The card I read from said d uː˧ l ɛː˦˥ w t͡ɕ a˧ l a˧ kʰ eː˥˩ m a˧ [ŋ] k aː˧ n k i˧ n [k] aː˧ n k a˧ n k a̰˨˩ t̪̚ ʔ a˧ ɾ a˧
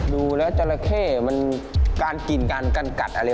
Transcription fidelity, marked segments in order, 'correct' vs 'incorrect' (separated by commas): incorrect, correct